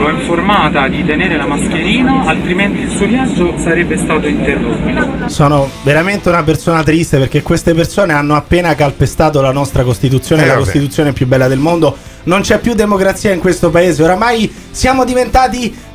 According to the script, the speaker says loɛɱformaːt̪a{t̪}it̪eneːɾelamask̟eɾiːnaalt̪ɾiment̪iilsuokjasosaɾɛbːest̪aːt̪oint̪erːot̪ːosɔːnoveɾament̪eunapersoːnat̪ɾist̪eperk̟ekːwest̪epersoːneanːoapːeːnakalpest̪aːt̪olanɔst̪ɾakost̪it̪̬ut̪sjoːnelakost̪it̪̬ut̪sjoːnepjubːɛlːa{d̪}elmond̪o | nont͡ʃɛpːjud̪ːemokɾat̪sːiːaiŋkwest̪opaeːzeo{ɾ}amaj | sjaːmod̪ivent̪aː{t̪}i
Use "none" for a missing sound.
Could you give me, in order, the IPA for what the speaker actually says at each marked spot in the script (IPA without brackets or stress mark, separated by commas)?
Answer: d̪, d̪, ɾ, t̪